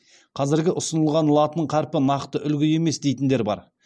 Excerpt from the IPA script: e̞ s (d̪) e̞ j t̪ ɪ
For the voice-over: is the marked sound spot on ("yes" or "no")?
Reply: yes